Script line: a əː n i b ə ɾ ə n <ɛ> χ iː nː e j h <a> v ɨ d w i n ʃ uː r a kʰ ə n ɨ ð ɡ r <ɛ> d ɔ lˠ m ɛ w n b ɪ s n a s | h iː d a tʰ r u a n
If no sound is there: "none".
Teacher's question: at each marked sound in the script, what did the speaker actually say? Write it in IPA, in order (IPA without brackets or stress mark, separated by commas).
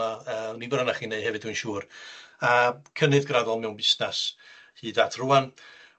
a, ɛ, a